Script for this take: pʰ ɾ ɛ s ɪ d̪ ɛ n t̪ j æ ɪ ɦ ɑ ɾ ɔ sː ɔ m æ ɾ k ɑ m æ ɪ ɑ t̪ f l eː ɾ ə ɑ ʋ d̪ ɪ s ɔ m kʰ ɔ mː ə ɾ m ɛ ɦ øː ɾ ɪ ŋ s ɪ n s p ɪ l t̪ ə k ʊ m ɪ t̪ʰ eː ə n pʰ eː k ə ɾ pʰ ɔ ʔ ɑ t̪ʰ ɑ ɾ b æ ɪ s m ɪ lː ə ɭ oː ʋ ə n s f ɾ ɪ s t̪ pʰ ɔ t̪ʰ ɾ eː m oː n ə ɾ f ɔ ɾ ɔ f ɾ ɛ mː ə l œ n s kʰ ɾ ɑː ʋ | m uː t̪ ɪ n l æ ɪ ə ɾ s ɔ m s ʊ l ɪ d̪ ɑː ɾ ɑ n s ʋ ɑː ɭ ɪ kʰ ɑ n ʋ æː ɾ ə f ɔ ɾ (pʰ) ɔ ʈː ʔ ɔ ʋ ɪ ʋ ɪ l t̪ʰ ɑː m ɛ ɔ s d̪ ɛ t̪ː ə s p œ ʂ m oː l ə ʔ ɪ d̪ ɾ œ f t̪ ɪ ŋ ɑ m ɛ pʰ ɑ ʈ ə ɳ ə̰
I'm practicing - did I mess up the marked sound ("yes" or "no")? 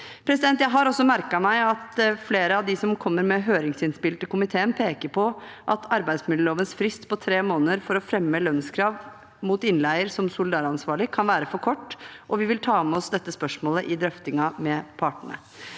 yes